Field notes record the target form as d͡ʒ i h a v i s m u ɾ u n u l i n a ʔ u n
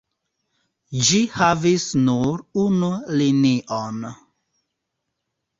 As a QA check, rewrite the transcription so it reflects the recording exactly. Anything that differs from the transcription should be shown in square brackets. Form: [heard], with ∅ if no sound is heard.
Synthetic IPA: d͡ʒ i h a v i s [n] u ɾ u n u l i n [i] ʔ [o] n